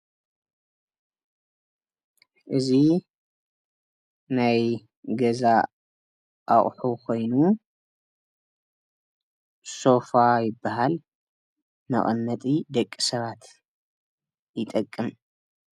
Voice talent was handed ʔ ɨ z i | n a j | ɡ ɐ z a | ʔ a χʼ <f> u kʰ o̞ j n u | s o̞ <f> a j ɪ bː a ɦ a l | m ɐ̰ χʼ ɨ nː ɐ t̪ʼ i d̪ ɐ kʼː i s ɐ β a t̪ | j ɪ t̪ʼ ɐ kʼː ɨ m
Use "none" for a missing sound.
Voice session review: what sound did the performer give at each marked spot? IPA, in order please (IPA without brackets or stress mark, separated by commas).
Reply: ħ, f